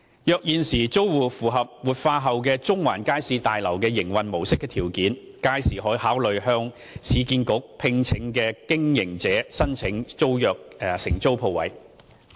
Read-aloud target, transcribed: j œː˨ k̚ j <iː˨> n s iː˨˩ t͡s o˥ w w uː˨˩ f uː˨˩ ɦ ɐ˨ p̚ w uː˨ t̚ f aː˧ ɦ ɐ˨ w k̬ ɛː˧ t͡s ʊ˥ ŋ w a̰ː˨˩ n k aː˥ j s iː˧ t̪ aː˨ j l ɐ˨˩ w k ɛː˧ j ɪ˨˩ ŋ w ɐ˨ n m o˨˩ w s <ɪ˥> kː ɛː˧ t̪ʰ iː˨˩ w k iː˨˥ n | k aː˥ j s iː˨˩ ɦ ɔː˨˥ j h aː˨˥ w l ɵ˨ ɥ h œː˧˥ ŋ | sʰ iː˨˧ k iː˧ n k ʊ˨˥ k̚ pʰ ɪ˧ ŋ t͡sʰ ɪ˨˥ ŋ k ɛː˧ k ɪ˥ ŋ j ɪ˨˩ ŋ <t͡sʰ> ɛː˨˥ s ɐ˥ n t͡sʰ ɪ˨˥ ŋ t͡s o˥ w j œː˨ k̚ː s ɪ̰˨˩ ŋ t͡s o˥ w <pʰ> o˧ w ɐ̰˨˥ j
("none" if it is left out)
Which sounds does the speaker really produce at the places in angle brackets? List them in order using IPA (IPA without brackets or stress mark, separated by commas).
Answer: iː˨, ɪ˥, t͡s, pʰ